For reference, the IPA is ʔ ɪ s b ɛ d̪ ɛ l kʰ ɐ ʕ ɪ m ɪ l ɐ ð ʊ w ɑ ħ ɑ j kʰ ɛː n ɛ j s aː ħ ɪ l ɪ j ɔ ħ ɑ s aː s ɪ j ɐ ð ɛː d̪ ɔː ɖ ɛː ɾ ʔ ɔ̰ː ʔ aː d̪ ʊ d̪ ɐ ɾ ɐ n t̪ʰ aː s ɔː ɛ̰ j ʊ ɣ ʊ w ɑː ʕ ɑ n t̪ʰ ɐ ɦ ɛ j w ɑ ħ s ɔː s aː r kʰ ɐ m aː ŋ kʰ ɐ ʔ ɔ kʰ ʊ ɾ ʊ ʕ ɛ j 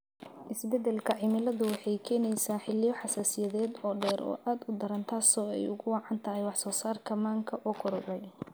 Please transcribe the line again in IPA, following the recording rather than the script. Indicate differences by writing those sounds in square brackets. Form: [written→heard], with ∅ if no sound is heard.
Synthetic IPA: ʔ ɪ s b ɛ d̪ ɛ l kʰ ɐ ʕ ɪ m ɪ l ɐ ð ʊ w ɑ ħ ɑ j kʰ ɛː n ɛ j s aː ħ ɪ l ɪ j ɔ ħ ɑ s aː s ɪ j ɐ ð ɛː d̪ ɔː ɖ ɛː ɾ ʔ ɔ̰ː ʔ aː d̪ ʊ d̪ ɐ ɾ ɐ n t̪ʰ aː s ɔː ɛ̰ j ʊ ɣ ʊ w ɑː ʕ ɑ n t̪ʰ ɐ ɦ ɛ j w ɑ ħ s ɔː s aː r kʰ ɐ m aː ŋ kʰ ɐ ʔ ɔ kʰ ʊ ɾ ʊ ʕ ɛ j